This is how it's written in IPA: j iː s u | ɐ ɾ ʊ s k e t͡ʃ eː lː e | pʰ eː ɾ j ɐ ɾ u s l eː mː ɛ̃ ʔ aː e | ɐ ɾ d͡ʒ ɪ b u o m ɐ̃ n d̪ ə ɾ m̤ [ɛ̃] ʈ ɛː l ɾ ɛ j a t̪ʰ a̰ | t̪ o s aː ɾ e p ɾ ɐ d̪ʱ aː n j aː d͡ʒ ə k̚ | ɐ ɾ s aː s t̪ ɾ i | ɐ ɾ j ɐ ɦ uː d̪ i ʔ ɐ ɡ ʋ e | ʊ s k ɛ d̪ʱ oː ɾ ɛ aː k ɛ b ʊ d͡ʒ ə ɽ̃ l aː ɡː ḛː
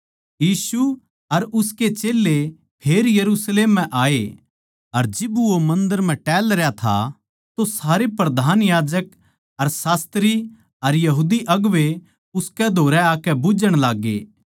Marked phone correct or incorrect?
correct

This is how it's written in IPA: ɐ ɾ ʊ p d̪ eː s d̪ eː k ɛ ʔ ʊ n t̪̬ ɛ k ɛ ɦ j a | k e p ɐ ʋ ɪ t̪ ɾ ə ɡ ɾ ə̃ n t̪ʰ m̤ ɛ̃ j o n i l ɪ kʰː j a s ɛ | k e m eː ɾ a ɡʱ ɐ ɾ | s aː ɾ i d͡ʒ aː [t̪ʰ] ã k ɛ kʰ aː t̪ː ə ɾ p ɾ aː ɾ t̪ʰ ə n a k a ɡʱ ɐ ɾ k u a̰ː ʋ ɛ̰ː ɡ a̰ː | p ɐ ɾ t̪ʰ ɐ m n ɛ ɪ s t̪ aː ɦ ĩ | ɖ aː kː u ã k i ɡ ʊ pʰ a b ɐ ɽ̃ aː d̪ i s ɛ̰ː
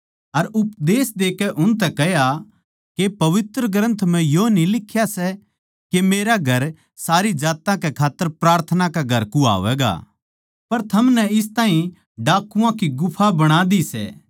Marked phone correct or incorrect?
incorrect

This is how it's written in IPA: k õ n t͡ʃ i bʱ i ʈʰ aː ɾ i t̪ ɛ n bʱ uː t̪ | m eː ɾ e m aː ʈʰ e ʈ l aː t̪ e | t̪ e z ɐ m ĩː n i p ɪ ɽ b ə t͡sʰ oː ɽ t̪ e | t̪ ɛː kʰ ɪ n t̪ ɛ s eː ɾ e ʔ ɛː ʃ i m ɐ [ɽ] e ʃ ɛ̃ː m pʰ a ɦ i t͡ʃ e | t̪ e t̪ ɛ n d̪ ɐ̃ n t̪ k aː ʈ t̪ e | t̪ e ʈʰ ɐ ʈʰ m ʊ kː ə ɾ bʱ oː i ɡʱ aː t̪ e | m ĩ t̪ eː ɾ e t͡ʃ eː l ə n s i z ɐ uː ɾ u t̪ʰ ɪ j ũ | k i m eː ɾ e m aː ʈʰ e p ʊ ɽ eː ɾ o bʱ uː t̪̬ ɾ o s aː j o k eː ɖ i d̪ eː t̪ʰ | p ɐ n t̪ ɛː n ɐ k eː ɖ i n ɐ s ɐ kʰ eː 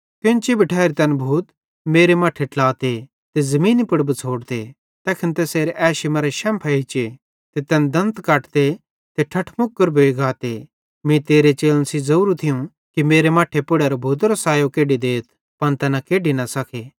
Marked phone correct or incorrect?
incorrect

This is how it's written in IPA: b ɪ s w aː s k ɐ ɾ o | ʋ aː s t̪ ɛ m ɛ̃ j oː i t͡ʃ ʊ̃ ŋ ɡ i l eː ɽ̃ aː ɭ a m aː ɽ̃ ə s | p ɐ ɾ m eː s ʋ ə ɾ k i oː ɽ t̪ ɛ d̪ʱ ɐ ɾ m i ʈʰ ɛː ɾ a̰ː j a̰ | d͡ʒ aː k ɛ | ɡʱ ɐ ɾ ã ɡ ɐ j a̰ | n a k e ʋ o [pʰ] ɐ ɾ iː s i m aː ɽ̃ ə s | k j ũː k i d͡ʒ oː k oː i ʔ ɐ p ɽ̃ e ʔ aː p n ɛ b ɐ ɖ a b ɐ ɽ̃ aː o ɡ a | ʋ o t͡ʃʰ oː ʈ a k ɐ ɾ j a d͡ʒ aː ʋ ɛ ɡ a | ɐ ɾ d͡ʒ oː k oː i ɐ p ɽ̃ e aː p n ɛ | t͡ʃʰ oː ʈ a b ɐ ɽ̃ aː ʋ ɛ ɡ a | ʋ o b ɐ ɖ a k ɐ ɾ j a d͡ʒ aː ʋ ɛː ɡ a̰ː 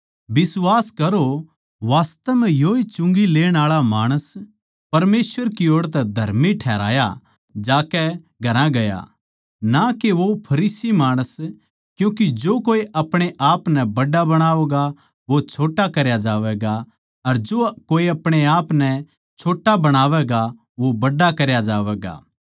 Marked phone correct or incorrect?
correct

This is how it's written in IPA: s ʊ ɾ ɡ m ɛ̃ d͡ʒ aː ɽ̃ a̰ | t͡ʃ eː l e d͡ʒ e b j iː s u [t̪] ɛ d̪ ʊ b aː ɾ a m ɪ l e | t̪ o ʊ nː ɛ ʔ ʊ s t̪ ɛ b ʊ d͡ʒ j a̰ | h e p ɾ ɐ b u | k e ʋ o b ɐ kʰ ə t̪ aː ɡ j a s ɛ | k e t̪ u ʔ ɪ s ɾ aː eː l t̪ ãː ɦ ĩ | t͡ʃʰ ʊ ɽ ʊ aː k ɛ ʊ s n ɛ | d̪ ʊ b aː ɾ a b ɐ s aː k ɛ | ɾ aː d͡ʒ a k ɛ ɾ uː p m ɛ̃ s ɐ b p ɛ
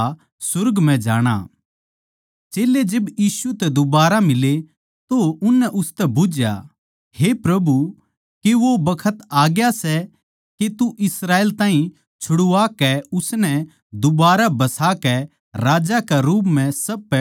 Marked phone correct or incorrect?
correct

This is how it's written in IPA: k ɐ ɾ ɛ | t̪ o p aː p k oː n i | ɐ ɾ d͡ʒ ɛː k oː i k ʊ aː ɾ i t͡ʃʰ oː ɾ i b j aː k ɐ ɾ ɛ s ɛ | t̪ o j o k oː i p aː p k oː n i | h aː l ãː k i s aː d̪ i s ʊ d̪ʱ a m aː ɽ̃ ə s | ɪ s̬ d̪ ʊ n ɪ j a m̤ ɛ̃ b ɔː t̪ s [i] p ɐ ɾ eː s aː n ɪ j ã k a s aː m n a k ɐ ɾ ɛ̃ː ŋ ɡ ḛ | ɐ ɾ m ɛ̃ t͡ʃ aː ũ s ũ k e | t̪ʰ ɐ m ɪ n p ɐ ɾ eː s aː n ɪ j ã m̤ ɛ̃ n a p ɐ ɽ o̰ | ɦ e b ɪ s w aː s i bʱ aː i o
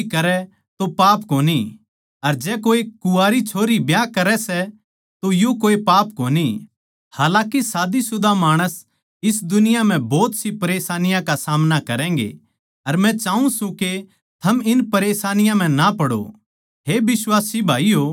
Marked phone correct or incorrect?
correct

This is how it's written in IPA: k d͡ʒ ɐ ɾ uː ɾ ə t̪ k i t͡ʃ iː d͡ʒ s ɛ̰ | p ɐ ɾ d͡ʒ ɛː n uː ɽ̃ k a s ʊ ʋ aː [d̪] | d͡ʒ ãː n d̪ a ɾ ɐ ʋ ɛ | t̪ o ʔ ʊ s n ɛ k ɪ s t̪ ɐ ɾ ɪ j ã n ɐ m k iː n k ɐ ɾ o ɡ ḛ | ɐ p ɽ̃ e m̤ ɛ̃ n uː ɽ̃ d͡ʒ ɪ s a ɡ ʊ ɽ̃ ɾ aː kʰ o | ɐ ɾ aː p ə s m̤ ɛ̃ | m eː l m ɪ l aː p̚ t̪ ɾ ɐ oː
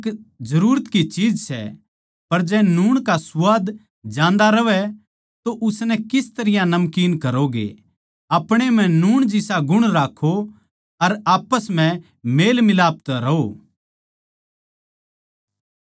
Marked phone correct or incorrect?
correct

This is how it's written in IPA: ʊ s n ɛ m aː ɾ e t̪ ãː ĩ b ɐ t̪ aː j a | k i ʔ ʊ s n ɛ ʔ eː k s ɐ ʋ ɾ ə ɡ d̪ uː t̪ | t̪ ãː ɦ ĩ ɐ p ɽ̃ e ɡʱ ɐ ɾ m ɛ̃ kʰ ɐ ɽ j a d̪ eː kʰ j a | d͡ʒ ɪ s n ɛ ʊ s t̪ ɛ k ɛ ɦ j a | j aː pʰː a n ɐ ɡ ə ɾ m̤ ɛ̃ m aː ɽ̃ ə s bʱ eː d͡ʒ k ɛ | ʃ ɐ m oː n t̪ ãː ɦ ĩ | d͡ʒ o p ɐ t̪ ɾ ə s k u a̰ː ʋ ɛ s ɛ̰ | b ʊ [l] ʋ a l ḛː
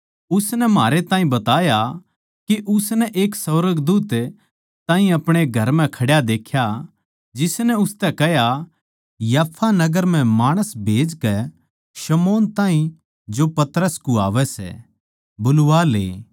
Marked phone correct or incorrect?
correct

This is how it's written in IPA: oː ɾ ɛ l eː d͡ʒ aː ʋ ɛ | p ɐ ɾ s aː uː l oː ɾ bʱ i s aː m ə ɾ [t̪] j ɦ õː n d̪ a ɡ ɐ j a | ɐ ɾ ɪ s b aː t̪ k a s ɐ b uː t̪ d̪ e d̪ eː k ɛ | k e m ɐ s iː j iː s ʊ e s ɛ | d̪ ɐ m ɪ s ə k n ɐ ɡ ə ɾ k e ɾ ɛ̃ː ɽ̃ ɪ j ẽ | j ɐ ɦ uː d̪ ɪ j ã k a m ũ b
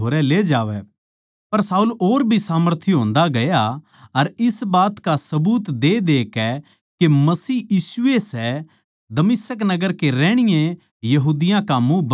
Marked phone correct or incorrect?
incorrect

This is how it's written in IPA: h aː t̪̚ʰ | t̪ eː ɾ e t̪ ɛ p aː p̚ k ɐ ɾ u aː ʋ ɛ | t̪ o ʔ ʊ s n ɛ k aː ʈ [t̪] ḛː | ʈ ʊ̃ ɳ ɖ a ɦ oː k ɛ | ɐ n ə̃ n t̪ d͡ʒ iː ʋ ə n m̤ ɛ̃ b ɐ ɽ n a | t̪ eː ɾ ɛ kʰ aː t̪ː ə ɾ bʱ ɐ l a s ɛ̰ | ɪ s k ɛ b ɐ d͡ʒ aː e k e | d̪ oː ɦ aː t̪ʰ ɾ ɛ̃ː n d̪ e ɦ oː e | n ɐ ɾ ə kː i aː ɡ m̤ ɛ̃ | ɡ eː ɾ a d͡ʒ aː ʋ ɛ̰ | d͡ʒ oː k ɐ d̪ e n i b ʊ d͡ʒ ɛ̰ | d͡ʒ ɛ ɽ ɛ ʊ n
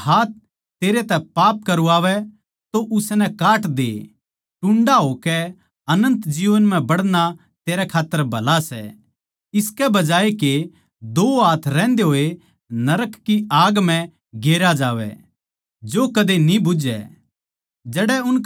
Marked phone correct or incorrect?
incorrect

